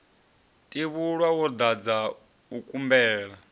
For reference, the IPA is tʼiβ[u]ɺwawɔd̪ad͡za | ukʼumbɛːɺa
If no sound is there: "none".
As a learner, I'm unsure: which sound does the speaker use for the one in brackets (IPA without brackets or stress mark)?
u